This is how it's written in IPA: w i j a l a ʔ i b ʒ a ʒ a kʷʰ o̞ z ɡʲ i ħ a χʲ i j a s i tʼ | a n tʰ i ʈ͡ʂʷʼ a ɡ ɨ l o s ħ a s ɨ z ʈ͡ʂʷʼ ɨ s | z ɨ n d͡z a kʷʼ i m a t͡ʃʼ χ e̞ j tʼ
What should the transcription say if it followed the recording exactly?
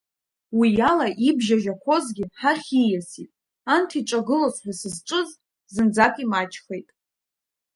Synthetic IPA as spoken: w i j a l a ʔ i b ʒ a ʒ a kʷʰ o̞ z ɡʲ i ħ a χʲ i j a s i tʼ | a n tʰ i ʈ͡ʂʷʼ a ɡ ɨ l o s ħ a s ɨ z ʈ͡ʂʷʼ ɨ z | z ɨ n d͡z a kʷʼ i m a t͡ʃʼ χ e̞ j tʼ